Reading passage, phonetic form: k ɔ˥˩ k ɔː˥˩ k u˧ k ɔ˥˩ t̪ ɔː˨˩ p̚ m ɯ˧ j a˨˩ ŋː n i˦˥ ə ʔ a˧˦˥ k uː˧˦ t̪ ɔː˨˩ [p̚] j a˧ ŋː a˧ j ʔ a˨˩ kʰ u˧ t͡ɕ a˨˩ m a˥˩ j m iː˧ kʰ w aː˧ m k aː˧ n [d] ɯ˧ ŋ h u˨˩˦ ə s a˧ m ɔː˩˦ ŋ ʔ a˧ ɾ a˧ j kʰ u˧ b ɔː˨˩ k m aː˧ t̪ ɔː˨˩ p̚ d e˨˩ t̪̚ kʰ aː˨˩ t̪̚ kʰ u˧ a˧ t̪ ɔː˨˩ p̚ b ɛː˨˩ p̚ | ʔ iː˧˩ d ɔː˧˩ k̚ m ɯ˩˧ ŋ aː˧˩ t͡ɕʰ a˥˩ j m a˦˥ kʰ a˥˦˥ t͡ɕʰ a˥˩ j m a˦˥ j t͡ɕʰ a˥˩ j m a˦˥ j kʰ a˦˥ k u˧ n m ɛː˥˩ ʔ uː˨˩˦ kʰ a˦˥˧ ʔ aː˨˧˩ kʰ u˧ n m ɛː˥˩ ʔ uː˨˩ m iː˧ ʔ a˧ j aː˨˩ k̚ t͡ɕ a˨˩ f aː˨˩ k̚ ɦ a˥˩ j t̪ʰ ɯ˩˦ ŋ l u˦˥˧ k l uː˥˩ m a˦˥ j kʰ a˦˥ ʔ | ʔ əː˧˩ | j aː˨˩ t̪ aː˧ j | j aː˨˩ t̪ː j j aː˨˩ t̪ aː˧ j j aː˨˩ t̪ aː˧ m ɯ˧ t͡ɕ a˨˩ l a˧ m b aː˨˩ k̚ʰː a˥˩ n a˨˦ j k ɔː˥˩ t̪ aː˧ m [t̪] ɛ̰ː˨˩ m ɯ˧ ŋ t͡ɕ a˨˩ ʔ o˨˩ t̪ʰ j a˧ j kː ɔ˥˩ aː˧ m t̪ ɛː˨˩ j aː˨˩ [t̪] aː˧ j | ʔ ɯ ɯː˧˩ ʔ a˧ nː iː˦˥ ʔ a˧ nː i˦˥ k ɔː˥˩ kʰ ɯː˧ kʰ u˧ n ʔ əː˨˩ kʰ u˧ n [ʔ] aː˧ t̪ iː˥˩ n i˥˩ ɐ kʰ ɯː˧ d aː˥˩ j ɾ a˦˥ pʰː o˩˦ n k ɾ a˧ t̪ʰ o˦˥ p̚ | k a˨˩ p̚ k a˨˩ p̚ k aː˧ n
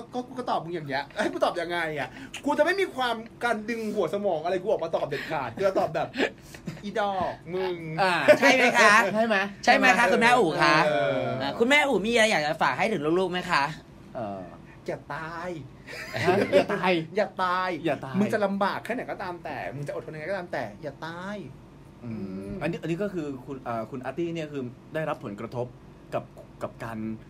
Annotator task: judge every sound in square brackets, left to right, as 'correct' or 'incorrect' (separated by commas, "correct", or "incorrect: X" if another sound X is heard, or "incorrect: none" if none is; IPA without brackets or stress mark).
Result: correct, correct, correct, correct, correct